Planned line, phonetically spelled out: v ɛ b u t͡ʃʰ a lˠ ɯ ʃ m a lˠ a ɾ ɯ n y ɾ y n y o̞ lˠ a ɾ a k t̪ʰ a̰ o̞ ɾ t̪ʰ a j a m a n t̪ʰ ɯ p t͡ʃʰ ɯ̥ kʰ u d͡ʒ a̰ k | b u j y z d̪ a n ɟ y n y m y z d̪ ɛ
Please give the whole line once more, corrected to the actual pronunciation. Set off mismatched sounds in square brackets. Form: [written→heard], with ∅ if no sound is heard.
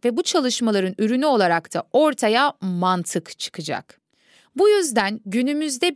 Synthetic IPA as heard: v ɛ b u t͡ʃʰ a lˠ ɯ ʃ m a lˠ a ɾ ɯ n y ɾ y n y o̞ lˠ a ɾ a k t̪ʰ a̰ o̞ ɾ t̪ʰ a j a m a n t̪ʰ ɯ [p→k] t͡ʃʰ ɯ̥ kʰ [u→ɯ] d͡ʒ a̰ k | b u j y z d̪ [a→æ] n ɟ y n y m y z d̪ ɛ